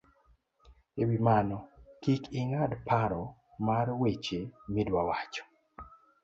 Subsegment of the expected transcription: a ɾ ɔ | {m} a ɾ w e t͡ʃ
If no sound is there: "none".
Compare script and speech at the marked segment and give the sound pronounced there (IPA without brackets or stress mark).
m